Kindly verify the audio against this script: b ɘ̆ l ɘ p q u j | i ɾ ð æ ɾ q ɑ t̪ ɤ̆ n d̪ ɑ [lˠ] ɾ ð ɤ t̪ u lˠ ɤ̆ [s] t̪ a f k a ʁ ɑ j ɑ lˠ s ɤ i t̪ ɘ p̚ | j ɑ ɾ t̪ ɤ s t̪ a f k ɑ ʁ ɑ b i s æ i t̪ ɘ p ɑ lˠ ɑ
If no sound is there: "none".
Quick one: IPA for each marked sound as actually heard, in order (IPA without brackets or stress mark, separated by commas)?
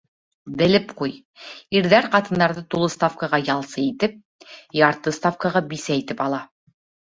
none, s